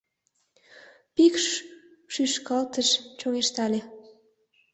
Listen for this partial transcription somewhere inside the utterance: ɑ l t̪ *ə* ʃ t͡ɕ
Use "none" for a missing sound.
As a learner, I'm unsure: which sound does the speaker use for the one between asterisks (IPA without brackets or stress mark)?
ə